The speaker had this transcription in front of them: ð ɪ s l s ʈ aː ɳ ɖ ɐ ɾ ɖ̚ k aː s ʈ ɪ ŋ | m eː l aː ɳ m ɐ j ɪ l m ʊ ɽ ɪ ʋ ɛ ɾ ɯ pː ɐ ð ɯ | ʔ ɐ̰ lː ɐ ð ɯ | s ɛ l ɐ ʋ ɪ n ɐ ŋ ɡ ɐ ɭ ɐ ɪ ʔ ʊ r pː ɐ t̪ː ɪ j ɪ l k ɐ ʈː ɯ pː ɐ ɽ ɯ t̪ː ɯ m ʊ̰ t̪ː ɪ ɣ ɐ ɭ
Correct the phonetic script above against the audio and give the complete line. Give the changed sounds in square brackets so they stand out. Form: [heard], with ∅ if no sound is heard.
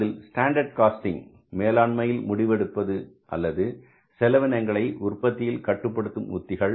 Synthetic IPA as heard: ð ɪ [∅] l s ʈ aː ɳ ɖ ɐ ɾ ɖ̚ k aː s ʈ ɪ ŋ | m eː l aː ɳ m ɐ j ɪ l m ʊ ɽ ɪ ʋ ɛ [ɽ] ɯ pː ɐ ð ɯ | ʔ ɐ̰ lː ɐ ð ɯ | s ɛ l ɐ ʋ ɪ n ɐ ŋ ɡ ɐ ɭ ɐ ɪ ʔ ʊ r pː ɐ t̪ː ɪ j ɪ l k ɐ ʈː ɯ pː ɐ ɽ ɯ t̪ː ɯ m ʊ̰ t̪ː ɪ ɣ ɐ ɭ